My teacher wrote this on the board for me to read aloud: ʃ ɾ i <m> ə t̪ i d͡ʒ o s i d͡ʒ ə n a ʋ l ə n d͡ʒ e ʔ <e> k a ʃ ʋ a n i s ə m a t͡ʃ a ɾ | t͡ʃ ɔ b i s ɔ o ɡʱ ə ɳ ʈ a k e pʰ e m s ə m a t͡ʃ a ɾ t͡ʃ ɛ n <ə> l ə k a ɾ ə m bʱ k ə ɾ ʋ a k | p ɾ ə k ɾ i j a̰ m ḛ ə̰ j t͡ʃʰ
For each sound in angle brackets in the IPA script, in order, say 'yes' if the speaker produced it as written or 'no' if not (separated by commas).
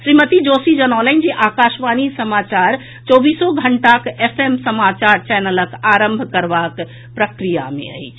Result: yes, no, yes